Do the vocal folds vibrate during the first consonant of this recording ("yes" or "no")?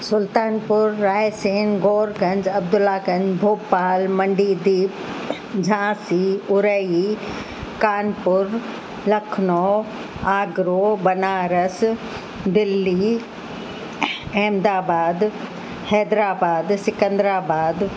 no